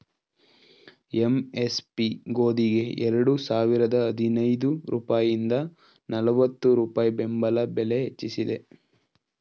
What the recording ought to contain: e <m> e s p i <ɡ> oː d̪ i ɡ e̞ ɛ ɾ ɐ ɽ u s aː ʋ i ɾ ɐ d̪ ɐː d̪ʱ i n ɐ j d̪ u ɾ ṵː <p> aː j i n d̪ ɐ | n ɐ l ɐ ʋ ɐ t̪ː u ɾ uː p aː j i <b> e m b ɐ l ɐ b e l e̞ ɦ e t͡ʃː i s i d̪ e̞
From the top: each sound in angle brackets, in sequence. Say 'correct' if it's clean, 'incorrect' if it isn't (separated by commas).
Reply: correct, correct, correct, correct